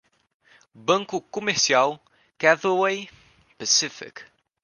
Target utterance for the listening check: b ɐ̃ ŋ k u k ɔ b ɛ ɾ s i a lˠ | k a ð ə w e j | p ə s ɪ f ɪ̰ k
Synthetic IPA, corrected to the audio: b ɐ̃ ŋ k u k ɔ m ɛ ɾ s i a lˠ | k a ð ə w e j | p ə s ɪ f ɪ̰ k